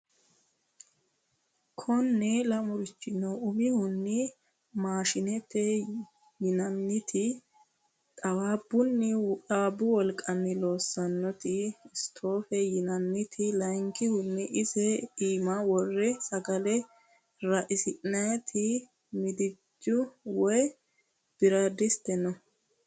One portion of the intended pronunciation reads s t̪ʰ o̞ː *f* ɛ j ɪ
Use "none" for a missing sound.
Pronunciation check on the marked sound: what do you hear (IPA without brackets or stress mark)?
f